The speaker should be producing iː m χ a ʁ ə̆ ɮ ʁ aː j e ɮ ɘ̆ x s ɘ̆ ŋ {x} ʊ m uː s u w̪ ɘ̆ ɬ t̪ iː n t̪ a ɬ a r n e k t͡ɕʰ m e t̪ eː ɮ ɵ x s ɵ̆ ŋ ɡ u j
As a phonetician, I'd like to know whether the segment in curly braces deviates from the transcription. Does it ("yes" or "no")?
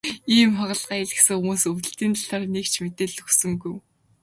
no